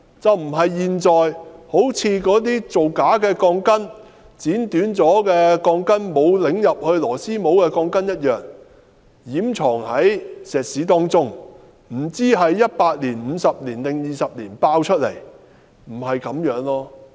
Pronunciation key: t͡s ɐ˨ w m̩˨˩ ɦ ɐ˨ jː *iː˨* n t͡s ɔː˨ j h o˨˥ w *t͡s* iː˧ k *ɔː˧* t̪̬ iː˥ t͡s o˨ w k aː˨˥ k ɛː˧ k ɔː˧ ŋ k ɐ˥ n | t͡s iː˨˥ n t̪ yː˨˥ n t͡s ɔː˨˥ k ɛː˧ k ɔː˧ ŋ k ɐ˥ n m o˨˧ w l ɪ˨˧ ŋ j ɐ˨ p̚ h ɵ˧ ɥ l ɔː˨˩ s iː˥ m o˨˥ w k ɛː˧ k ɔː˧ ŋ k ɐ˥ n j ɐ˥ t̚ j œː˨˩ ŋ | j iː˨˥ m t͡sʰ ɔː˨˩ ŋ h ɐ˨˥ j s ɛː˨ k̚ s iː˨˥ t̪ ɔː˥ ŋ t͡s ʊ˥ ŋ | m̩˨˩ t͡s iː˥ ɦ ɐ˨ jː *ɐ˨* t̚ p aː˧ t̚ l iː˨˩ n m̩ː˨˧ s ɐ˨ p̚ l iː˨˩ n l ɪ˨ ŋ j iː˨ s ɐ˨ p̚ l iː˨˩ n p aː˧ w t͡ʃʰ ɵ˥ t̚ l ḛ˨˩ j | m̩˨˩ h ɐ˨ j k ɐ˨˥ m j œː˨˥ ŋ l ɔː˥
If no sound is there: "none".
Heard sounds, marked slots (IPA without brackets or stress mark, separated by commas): iː˨, t͡sʰ, ɔː˨˥, ɐ˥